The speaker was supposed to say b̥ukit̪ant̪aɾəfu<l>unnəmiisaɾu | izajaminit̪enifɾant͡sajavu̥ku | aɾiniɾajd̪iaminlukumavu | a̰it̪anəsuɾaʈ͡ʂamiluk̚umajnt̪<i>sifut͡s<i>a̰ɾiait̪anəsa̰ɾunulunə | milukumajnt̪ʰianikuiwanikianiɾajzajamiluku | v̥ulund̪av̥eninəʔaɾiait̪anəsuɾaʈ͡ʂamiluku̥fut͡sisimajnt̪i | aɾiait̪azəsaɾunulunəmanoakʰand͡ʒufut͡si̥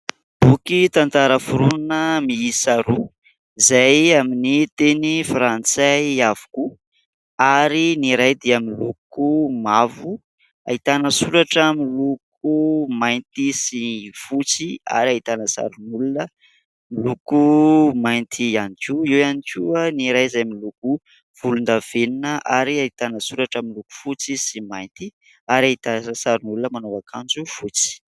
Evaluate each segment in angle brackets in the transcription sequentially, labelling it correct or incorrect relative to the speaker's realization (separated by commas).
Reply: incorrect, correct, correct